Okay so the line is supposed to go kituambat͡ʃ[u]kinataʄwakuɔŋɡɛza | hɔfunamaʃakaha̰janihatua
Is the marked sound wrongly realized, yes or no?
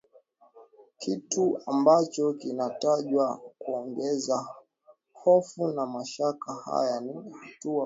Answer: yes